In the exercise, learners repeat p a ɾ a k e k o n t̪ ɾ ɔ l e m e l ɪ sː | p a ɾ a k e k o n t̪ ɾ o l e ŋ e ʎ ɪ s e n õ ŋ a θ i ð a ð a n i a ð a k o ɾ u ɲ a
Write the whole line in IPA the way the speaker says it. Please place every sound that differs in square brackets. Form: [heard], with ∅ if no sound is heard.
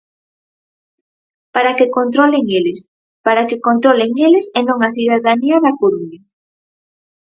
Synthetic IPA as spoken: p a ɾ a k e k o n t̪ ɾ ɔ l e [ŋ] e l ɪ [s] | p a ɾ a k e k o n t̪ ɾ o l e ŋ e [l] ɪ s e n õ ŋ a θ i ð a ð a n i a ð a k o ɾ u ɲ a